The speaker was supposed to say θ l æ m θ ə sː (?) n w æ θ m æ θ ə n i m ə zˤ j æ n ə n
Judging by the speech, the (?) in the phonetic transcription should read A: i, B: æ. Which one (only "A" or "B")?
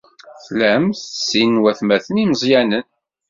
A